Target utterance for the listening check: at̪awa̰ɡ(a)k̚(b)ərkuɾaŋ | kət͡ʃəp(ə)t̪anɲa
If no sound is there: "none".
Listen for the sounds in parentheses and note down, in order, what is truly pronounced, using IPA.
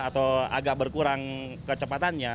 a, b, a

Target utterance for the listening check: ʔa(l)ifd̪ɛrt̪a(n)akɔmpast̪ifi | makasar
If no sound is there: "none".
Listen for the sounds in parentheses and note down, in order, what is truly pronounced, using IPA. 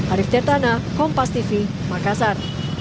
ɾ, n

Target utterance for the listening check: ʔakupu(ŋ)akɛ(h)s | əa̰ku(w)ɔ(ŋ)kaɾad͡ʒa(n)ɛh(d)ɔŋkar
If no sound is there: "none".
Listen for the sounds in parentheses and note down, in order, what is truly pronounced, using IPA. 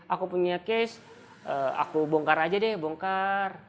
ɲ, none, b, ŋ, d, b

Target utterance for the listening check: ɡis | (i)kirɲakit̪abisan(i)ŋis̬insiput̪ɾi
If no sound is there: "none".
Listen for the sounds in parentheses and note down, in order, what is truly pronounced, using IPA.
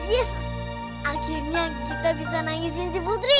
a, a

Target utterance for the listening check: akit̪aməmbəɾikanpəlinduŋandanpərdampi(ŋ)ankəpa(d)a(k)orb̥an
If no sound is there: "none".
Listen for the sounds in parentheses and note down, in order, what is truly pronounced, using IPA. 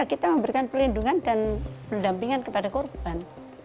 ŋ, d, k

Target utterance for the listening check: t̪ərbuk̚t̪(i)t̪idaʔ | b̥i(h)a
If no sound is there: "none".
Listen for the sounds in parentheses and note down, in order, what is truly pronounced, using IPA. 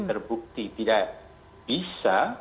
i, s

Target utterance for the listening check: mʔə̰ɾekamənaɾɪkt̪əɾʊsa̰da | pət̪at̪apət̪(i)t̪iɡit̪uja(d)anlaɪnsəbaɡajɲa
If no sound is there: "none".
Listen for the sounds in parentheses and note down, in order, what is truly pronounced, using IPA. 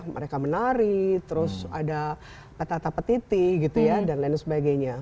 i, d

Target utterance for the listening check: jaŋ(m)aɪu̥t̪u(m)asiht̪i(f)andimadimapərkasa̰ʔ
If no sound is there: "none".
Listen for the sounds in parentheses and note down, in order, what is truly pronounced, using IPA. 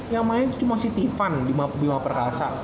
m, m, f

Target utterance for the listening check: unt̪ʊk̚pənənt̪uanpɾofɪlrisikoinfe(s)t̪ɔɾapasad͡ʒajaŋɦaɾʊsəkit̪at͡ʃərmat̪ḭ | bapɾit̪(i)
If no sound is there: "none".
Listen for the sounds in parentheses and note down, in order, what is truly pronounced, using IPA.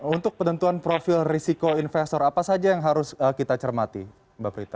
s, a

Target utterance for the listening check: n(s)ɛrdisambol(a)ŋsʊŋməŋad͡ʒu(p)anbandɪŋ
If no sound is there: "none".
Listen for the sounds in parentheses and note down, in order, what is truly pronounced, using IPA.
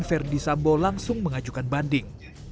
f, a, k

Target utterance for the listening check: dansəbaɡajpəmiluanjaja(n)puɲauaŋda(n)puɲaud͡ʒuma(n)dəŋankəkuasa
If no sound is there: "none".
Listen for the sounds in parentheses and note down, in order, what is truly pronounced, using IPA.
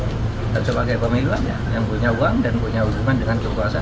ŋ, n, n

